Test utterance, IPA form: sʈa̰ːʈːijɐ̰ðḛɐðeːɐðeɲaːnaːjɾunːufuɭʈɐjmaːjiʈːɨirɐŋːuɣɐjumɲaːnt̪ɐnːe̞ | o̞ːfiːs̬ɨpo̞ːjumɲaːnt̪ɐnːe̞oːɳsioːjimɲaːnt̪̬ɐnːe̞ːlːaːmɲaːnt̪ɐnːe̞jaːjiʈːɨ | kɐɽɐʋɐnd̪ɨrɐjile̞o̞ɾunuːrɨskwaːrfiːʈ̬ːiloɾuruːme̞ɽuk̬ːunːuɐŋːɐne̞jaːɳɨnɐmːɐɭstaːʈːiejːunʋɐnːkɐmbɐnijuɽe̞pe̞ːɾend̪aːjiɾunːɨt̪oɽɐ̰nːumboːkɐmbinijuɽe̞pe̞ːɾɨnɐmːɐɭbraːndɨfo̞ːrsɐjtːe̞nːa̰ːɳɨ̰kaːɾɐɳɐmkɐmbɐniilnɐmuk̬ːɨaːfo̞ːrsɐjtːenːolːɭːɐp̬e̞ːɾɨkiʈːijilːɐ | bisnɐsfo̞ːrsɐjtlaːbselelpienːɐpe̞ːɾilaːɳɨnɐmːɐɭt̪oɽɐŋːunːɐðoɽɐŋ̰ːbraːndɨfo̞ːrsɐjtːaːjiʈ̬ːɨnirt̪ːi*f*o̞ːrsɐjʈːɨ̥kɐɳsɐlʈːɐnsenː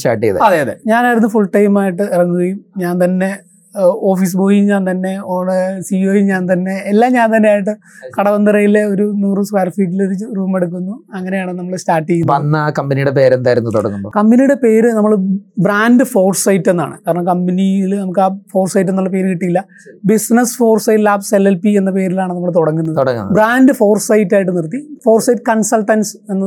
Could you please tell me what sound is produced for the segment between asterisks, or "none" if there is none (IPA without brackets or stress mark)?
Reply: f